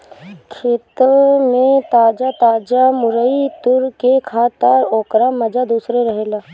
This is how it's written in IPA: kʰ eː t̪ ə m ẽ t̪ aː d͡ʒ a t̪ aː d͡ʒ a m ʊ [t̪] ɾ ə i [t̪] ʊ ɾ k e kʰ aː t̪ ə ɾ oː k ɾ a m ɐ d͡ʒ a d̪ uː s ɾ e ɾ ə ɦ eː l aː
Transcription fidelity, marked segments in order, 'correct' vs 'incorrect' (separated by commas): incorrect, correct